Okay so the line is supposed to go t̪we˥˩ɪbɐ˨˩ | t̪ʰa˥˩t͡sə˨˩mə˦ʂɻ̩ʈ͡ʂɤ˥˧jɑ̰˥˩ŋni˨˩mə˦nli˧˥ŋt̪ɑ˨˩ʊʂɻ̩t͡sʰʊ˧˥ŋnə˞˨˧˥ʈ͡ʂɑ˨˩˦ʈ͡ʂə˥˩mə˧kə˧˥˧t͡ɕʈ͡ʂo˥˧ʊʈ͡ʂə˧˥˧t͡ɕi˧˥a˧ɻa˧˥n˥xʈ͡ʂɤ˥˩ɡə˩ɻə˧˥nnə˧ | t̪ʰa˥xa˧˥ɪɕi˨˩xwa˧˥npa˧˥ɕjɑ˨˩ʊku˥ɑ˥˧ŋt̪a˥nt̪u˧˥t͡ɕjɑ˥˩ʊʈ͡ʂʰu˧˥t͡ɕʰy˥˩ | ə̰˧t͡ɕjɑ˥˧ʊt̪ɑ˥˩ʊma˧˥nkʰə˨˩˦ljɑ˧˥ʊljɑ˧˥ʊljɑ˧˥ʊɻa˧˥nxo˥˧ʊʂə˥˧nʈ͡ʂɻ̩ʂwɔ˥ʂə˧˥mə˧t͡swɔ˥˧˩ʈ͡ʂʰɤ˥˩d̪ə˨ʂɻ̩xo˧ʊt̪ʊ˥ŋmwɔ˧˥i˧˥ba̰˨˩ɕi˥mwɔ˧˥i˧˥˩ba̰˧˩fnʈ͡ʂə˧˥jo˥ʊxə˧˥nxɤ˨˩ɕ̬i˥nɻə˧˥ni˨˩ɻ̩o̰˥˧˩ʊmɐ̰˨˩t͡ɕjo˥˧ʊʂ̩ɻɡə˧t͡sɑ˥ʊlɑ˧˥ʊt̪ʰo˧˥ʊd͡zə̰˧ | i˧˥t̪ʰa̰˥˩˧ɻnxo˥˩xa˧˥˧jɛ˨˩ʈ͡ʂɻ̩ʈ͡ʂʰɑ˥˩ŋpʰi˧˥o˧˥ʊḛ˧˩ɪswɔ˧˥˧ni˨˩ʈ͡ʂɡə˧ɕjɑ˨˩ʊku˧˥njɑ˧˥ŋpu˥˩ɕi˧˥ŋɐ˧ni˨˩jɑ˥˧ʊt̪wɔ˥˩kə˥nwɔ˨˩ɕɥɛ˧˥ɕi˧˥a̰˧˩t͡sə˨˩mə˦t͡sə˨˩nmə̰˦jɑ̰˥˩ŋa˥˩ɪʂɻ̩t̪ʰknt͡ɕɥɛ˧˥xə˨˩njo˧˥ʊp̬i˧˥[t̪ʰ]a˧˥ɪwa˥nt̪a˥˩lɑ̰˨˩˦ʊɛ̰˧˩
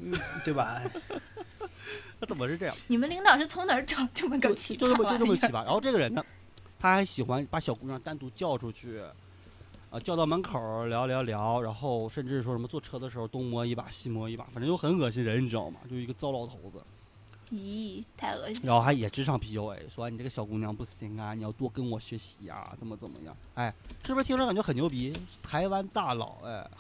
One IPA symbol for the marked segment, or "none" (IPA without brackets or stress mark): t̪ʰ